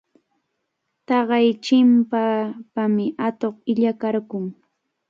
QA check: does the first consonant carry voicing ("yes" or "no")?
no